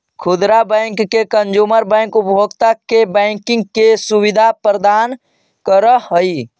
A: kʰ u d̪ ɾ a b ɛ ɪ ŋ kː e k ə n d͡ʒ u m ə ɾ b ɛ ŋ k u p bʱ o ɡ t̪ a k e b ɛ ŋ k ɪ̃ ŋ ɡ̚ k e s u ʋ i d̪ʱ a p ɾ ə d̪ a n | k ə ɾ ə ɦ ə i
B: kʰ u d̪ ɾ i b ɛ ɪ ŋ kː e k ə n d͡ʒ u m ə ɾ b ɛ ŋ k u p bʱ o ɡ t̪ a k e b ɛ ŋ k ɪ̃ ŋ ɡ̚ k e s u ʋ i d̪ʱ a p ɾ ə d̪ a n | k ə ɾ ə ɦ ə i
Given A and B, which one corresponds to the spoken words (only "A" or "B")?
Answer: A